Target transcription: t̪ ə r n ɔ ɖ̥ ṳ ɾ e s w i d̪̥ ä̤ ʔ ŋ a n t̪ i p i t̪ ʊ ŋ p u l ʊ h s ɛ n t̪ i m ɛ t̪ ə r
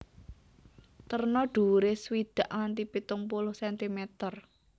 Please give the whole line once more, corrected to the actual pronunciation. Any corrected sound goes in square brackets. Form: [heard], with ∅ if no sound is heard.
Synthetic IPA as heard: t̪ ə r n ɔ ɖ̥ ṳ ɾ e s w i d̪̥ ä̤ ʔ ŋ a n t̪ i p i t̪ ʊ ŋ p u l ʊ h s ɛ n t̪ i m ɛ t̪ ə r